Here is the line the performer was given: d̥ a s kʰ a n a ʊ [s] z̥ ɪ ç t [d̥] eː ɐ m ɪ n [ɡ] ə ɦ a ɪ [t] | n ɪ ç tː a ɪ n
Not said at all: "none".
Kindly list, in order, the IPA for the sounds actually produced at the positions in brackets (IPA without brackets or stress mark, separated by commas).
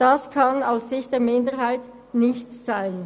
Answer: s, d̥, d, t